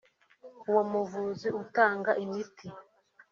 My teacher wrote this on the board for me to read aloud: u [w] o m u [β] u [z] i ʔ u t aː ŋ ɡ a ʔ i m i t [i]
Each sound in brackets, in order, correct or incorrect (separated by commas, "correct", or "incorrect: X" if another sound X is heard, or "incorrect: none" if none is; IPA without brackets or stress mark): correct, incorrect: v, correct, correct